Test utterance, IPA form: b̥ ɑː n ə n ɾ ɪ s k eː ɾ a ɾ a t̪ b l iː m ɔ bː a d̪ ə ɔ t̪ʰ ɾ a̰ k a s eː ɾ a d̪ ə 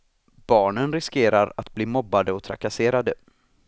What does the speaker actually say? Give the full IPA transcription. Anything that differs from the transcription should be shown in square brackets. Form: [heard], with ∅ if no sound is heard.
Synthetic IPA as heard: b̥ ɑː [ɳ] ə n ɾ ɪ s k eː ɾ a ɾ a t̪ b l iː m ɔ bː a d̪ ə ɔ t̪ʰ ɾ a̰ k a s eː ɾ a d̪ ə

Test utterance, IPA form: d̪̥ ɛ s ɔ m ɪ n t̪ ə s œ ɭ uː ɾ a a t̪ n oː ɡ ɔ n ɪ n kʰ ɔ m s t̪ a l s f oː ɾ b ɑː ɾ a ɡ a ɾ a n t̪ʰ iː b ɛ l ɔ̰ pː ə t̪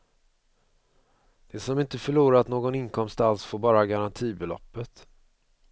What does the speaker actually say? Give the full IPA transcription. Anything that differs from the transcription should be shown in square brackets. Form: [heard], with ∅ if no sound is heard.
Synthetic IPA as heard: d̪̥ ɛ s ɔ m ɪ n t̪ ə [f] œ ɭ uː ɾ a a t̪ n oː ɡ ɔ n ɪ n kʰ ɔ m s t̪ a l s f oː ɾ b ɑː ɾ a ɡ a ɾ a n t̪ʰ iː b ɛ l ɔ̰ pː ə t̪

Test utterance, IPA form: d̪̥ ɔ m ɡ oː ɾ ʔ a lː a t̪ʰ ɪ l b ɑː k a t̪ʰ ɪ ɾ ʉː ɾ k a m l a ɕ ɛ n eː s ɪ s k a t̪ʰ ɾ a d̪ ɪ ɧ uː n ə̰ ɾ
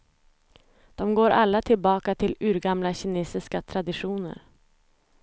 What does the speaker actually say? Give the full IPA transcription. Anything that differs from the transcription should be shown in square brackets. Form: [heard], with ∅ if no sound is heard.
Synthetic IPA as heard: d̪̥ ɔ m ɡ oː ɾ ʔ a lː a t̪ʰ ɪ l b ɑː k a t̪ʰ ɪ [l] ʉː ɾ [ɡ] a m l a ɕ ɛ n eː s ɪ s k a t̪ʰ ɾ a d̪ ɪ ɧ uː n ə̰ ɾ

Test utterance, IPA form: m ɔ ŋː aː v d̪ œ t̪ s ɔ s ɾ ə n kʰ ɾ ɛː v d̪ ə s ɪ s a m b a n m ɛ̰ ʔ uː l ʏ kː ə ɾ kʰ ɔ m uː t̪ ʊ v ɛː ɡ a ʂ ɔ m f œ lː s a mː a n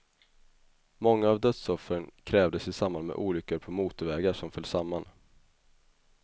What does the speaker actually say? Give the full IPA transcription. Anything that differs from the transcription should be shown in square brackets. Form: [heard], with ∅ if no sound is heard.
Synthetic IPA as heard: m ɔ ŋː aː v d̪ œ t̪ s ɔ [f] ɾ ə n kʰ ɾ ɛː v d̪ ə s ɪ s a m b a n m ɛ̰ ʔ uː l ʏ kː ə ɾ [pʰ] ɔ m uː t̪ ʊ v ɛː ɡ a ʂ ɔ m f œ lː s a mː a n

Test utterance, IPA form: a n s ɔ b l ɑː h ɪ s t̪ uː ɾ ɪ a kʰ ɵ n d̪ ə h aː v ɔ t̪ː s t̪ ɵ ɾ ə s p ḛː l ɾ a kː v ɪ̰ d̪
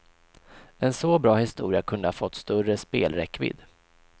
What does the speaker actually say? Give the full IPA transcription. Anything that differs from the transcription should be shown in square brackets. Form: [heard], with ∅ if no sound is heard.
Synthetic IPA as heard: [ɛ] n s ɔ b [ɾ] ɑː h ɪ s t̪ uː ɾ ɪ a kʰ ɵ n d̪ ə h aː [f] ɔ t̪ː s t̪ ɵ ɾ ə s p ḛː l ɾ [ɛ] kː v ɪ̰ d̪

